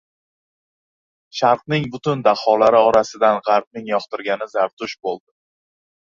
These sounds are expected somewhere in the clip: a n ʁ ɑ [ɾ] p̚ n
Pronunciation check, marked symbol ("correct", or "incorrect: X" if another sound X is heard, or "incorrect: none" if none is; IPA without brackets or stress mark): correct